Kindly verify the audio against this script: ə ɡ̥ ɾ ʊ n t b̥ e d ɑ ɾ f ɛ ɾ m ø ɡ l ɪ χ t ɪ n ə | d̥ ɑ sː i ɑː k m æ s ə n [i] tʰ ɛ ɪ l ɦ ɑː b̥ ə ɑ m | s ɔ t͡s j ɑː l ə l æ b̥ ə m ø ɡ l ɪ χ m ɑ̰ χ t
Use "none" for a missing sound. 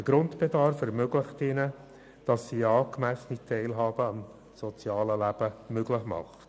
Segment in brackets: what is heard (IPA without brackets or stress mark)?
i